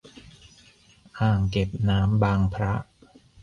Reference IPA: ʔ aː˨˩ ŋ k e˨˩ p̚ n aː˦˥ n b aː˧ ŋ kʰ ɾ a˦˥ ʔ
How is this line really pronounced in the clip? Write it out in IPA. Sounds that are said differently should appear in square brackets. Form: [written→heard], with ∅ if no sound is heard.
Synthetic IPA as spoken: ʔ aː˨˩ ŋ k e˨˩ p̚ n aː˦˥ [n→m] b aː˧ ŋ [kʰ→pʰ] ɾ a˦˥ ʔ